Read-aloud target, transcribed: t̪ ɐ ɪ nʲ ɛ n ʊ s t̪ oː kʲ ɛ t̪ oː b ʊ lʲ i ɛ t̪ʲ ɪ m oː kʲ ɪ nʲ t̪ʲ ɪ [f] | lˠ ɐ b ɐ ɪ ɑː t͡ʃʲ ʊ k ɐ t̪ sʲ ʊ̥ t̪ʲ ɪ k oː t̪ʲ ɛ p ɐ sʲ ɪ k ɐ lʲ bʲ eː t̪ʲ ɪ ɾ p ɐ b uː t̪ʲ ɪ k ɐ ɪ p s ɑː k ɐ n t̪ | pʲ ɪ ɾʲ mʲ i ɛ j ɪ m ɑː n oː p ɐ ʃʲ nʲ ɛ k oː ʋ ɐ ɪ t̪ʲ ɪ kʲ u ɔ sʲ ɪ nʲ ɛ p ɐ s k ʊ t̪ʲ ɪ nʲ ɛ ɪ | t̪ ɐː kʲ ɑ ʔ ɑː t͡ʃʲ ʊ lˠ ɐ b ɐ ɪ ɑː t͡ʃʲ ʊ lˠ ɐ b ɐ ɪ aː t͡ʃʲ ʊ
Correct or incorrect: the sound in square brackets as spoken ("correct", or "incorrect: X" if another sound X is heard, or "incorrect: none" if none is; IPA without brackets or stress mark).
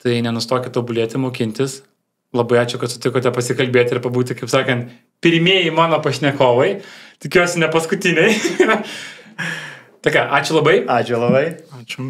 incorrect: s